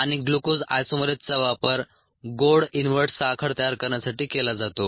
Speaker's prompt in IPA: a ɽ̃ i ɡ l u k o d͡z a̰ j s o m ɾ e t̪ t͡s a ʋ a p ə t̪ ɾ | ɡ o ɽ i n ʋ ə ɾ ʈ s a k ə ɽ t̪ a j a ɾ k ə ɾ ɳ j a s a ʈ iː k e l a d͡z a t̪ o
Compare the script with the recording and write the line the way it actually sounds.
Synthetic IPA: a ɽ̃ i ɡ l u k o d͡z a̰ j s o m ɾ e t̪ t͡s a ʋ a p ə ɾ | ɡ o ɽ i n ʋ ə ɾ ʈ s a kʰ ə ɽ t̪ ə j a ɾ k ə ɾ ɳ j a s a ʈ iː k e l a d͡z a t̪ o